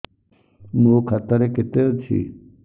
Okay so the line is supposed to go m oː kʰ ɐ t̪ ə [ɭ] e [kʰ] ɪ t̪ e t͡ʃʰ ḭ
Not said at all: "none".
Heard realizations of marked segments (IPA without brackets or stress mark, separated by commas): ɾ, k